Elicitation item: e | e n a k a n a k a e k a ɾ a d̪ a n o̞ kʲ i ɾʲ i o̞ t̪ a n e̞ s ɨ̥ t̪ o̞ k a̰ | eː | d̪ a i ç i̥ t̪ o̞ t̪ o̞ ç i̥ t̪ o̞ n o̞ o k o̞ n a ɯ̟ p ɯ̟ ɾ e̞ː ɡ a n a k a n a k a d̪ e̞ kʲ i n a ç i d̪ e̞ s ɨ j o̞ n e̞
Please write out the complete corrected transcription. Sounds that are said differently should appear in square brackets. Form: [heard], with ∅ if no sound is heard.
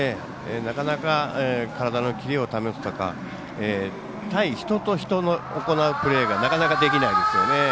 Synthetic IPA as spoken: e | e n a k a n a k a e k a ɾ a d̪ a n o̞ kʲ i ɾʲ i o̞ t̪ a [m] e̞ s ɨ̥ t̪ o̞ k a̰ | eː | [t̪] a i ç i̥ t̪ o̞ t̪ o̞ ç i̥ t̪ o̞ n o̞ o k o̞ n a ɯ̟ p ɯ̟ ɾ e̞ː ɡ a n a k a n a k a d̪ e̞ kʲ i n a [∅] i d̪ e̞ s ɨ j o̞ n e̞